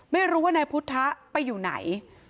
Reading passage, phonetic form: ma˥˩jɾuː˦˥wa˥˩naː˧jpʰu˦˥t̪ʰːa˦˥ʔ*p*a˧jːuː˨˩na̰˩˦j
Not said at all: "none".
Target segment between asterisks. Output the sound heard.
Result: p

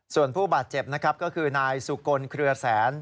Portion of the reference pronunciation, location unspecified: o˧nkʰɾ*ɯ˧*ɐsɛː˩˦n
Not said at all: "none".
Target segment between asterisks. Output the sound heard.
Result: ɯ˧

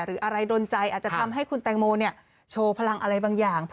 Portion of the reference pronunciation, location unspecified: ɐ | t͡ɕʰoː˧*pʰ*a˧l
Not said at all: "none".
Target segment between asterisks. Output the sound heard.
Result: pʰ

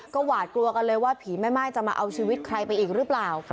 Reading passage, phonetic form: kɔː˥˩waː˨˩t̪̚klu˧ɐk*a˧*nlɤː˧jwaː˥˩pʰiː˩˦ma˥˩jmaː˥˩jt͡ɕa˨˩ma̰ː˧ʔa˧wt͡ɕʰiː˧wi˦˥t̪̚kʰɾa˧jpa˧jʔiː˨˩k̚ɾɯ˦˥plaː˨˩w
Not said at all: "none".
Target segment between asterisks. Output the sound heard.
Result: a˧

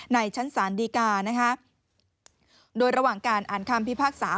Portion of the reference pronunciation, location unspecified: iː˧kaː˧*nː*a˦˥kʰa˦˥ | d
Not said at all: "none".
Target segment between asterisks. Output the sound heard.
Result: n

